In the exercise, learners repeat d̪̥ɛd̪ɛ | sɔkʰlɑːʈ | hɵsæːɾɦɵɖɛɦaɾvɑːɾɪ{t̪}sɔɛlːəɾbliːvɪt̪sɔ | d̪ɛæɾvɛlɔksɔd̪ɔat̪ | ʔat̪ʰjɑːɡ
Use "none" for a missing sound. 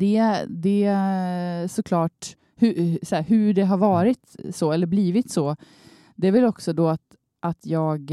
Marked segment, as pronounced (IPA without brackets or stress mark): t̪